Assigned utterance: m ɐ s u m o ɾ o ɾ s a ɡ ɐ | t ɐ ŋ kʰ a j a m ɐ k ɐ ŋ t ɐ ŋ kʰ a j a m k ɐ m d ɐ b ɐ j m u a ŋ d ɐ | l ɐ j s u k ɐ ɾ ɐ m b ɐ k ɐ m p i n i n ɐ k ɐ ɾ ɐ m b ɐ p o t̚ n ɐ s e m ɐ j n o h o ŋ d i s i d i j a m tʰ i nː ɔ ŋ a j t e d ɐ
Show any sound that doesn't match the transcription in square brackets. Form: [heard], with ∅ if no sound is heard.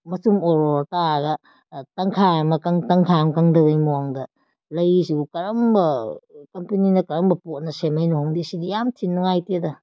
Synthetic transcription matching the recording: m ɐ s u m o ɾ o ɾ [t] a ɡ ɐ | t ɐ ŋ kʰ a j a m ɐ k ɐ ŋ t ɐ ŋ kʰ a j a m k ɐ [ŋ] d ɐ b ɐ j m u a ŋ d ɐ | l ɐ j s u k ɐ ɾ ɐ m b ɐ k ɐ m p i n i n ɐ k ɐ ɾ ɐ m b ɐ p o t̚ n ɐ s e m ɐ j n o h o ŋ d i s i d i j a m tʰ i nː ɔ ŋ a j t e d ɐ